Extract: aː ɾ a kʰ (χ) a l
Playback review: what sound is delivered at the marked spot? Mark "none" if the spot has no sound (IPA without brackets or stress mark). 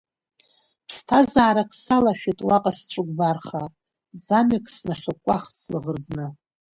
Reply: s